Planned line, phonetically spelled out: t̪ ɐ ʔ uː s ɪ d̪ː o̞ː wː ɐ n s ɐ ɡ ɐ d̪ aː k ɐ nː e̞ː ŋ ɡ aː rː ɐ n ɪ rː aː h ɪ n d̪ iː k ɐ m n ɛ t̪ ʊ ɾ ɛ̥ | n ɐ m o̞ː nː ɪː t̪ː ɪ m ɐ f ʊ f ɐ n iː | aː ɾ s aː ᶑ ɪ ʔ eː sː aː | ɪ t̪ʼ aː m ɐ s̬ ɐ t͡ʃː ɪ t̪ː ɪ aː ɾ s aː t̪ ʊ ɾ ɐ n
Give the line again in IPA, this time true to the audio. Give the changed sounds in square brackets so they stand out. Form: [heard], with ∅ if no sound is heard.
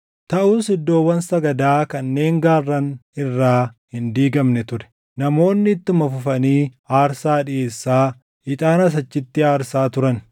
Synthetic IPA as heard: t̪ ɐ ʔ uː s ɪ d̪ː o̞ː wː ɐ n s ɐ ɡ ɐ d̪ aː k ɐ nː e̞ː ŋ ɡ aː rː ɐ n ɪ rː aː h ɪ n d̪ iː [ɡ] ɐ m n ɛ t̪ ʊ ɾ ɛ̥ | n ɐ m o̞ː nː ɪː t̪ː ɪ m ɐ f ʊ f ɐ n iː | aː ɾ s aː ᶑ ɪ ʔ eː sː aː | ɪ t̪ʼ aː [n] ɐ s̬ ɐ t͡ʃː ɪ t̪ː ɪ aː ɾ s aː t̪ ʊ ɾ ɐ n